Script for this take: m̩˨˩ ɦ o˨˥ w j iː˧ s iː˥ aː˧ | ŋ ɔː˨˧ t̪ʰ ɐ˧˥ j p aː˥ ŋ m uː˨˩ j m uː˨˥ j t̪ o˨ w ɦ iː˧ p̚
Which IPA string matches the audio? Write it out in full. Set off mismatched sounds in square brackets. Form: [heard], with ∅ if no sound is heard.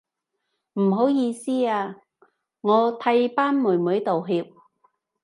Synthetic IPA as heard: m̩˨˩ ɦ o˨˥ w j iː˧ s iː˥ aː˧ | ŋ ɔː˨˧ t̪ʰ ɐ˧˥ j p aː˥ [n] m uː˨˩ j m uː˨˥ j t̪ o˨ w ɦ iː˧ p̚